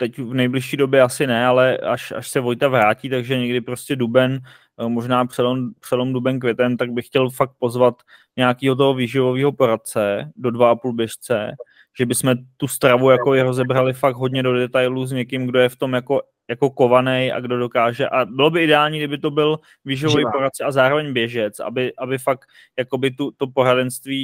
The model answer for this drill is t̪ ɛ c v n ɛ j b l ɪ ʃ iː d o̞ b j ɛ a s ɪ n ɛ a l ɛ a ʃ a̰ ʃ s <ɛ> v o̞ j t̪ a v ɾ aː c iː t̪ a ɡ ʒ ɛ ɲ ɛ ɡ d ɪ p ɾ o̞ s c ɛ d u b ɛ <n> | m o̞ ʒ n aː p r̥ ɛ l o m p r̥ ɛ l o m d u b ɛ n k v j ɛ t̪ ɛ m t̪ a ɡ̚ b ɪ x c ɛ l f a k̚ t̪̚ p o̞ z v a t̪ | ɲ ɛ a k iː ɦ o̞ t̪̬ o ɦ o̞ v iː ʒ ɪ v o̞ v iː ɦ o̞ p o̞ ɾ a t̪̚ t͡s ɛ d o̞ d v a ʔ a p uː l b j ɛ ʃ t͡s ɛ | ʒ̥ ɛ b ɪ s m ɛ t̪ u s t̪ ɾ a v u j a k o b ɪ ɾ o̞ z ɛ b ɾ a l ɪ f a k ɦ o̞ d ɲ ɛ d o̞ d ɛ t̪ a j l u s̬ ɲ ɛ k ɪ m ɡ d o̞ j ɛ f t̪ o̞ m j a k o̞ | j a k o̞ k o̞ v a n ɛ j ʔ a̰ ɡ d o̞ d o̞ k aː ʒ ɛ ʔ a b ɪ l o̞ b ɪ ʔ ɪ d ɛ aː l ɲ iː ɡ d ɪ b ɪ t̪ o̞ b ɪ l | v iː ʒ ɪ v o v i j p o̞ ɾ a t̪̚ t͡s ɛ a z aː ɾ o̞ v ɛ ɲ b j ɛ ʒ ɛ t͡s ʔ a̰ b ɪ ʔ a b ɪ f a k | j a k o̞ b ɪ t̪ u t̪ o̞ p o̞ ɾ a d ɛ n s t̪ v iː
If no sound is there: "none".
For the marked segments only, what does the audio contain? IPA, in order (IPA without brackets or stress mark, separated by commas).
ɛ, n